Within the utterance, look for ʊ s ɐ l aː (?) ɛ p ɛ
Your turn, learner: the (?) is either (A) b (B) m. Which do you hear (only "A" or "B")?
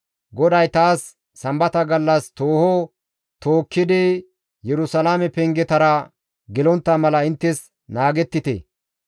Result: B